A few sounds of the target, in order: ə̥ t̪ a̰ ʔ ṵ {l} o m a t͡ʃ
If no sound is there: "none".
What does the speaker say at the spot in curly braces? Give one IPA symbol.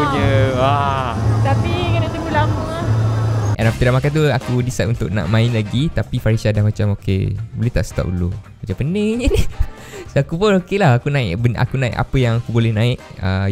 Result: l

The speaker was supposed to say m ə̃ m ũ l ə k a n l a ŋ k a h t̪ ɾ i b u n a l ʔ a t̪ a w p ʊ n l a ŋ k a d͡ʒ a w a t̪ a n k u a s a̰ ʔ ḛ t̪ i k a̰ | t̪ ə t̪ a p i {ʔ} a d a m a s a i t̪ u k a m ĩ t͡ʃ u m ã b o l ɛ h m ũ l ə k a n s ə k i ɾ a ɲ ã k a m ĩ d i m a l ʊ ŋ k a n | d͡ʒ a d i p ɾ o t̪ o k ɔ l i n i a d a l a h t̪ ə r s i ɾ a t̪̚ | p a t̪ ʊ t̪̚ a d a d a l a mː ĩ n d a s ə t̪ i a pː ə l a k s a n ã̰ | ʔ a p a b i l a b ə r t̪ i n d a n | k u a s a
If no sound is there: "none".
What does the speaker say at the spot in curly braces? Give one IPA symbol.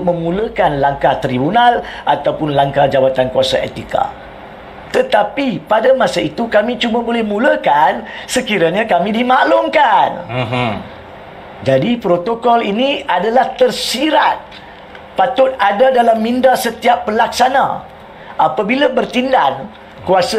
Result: p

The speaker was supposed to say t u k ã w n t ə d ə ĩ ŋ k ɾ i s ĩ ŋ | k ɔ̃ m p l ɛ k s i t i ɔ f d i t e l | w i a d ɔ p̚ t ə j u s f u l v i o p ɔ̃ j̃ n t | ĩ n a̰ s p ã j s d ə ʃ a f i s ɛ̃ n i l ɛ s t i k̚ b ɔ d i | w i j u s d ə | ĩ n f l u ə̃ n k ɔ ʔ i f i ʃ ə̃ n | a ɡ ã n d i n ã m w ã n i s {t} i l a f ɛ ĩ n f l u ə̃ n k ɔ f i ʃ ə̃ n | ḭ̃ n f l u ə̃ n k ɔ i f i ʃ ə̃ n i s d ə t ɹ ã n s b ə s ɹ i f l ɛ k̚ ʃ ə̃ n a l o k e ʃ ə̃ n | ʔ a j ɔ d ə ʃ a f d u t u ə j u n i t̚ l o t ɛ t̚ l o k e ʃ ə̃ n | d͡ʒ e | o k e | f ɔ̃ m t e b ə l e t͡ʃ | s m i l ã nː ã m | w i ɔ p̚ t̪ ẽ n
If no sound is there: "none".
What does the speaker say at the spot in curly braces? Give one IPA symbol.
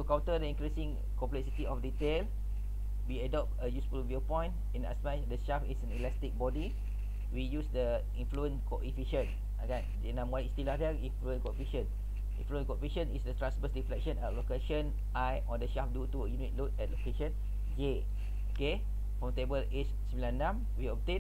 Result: t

